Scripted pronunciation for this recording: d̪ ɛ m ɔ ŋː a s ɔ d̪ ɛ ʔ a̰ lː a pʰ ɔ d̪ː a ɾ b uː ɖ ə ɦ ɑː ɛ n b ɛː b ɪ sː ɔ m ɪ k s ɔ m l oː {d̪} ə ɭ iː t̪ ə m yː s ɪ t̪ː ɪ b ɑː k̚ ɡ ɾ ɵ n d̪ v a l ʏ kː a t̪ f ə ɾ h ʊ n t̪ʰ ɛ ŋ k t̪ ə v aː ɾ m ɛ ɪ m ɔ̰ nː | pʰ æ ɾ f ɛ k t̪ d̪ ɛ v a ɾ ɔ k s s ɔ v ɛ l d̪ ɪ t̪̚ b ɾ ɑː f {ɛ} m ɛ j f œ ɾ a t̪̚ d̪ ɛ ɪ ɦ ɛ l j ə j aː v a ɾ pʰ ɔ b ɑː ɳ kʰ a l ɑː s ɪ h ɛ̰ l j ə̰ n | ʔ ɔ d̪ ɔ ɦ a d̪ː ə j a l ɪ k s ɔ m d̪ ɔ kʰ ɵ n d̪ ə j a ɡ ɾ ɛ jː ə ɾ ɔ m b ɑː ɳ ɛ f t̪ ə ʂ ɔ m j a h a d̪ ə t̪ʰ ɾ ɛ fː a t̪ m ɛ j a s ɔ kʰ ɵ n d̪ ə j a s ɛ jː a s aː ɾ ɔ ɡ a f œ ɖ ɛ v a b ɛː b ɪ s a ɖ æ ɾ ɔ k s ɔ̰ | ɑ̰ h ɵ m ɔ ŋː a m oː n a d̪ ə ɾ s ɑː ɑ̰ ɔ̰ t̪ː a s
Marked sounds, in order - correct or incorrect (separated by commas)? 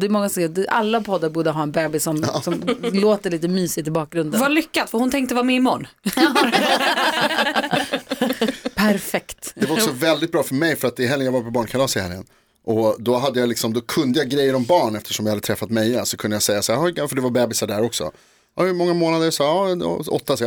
incorrect, incorrect